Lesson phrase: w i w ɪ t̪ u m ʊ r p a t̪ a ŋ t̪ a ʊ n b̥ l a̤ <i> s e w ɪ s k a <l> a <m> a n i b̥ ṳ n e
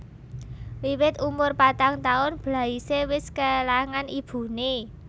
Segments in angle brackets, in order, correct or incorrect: correct, correct, incorrect: ŋ

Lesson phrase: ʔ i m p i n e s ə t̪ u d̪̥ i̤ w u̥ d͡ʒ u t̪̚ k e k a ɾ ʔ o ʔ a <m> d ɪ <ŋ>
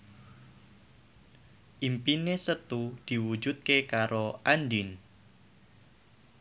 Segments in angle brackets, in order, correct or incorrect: incorrect: n, incorrect: n

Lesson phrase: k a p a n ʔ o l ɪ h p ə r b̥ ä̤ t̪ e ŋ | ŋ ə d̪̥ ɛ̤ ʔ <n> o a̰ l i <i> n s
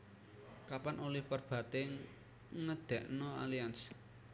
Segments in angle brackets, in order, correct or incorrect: correct, incorrect: a

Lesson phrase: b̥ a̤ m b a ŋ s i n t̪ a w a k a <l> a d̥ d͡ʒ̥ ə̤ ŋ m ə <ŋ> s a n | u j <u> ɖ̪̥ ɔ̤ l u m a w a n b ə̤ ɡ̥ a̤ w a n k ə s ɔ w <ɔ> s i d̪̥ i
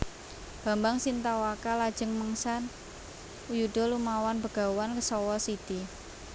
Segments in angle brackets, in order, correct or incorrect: correct, correct, correct, correct

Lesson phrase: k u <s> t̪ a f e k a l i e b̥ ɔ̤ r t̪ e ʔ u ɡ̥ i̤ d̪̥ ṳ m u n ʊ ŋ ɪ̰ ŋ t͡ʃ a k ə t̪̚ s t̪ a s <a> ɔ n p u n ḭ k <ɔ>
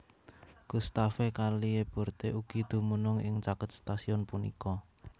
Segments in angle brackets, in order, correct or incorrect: correct, incorrect: i, correct

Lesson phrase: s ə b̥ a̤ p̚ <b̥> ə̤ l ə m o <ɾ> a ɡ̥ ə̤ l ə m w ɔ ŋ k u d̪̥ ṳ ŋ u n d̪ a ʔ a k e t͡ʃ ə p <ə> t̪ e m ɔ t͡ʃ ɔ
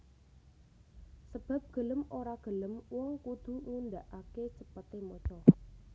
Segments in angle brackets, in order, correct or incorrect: incorrect: ɡ̥, correct, correct

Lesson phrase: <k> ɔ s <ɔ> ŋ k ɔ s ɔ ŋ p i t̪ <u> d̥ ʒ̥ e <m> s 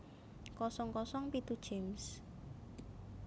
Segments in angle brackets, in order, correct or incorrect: correct, correct, correct, correct

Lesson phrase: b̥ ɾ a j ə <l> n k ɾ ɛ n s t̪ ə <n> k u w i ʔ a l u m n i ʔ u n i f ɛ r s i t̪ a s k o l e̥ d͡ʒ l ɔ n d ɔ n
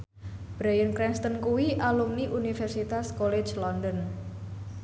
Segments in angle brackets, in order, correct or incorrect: incorrect: none, correct

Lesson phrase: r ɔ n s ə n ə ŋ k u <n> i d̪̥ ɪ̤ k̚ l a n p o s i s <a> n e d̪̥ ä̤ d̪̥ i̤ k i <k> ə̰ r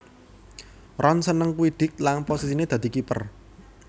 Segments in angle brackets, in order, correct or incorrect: incorrect: none, incorrect: i, incorrect: p

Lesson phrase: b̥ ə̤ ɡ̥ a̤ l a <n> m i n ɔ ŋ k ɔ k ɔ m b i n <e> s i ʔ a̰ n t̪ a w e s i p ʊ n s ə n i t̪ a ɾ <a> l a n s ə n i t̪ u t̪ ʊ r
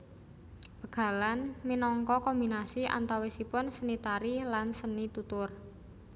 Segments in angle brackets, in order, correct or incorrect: correct, incorrect: a, incorrect: i

